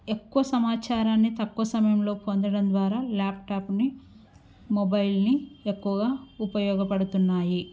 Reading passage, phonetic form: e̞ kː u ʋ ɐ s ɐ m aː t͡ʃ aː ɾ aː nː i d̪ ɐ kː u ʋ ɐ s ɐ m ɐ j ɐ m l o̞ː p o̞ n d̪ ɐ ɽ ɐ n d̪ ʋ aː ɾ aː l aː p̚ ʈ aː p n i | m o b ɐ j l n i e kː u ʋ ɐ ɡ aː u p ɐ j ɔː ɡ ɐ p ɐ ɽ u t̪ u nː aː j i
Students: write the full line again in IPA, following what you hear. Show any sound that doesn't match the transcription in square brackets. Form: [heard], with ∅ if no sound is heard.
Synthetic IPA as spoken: e̞ kː u ʋ ɐ s ɐ m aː t͡ʃ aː ɾ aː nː i [t̪] ɐ kː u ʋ ɐ s ɐ m ɐ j ɐ m l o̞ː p o̞ n d̪ ɐ ɽ ɐ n d̪ ʋ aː ɾ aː l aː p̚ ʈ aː p n i | m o b ɐ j l n i e kː u ʋ ɐ ɡ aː u p ɐ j ɔː ɡ ɐ p ɐ ɽ u t̪ u nː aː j i